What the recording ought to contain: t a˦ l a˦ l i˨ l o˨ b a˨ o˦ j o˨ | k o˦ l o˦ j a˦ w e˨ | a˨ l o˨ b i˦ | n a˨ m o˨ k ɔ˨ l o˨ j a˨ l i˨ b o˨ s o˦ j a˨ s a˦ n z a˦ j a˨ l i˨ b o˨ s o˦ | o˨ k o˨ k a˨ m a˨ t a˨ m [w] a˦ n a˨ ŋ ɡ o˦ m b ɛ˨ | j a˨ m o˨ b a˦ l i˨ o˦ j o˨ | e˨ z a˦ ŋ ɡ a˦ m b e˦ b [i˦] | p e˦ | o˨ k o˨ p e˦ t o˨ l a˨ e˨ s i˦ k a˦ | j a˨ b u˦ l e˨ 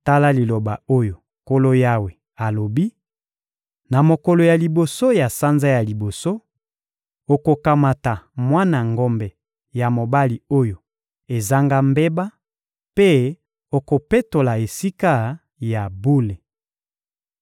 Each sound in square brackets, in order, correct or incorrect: correct, incorrect

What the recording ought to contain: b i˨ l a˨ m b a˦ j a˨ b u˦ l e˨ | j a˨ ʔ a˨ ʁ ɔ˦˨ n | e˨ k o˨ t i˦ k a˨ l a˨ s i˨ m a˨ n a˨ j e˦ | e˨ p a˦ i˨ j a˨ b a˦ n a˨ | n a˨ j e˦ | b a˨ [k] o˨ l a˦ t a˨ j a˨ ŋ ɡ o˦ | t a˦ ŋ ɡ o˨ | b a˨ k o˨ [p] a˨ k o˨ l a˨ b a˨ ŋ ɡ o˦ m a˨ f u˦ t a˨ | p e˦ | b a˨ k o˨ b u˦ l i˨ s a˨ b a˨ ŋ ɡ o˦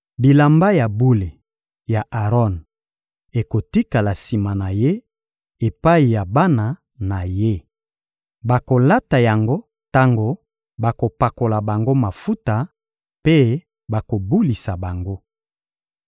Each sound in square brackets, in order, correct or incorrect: correct, correct

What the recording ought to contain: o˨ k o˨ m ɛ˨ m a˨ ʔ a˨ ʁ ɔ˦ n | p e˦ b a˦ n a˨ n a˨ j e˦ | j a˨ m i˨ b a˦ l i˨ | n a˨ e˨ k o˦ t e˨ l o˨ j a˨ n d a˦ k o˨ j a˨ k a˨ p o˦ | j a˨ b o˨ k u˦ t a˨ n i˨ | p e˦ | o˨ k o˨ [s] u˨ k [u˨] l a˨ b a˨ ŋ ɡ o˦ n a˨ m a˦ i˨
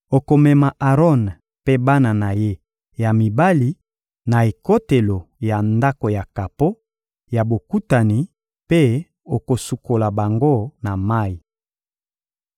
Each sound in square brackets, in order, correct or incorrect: correct, incorrect

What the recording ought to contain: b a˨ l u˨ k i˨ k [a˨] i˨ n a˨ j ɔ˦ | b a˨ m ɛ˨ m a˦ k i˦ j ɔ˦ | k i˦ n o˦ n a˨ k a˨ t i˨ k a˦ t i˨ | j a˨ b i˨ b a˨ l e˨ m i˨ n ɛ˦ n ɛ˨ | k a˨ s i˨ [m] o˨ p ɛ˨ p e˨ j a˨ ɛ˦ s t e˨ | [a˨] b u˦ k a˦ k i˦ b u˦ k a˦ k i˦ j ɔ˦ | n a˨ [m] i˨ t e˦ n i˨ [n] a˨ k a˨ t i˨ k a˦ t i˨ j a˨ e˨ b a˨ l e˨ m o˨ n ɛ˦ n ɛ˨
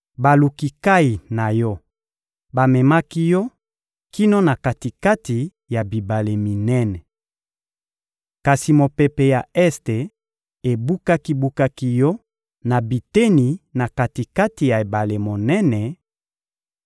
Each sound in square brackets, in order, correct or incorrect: incorrect, correct, incorrect, incorrect, correct

